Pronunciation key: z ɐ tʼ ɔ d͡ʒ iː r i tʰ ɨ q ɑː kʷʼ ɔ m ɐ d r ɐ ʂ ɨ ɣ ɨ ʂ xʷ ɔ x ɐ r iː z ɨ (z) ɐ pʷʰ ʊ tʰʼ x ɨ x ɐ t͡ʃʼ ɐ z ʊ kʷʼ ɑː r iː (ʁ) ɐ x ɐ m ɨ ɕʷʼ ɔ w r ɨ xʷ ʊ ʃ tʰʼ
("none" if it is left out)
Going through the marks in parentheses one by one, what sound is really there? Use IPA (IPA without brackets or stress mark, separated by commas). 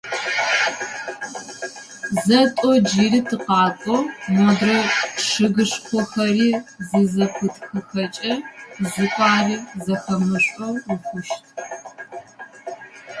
z, z